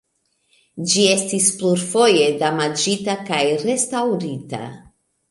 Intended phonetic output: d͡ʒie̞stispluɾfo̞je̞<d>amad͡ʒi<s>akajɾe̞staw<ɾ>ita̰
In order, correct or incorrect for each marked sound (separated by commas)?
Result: correct, incorrect, correct